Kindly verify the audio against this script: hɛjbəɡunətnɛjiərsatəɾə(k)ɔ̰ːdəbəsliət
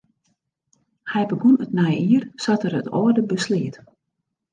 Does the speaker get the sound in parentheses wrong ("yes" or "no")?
yes